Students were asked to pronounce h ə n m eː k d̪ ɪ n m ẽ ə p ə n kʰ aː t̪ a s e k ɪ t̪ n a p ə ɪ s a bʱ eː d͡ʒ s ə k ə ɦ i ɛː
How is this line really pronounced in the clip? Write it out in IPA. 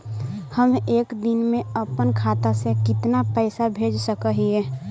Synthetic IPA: h ə m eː k d̪ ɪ n m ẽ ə p ə n kʰ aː t̪ a s e k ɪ t̪ n a p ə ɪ s a bʱ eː d͡ʒ s ə k ə ɦ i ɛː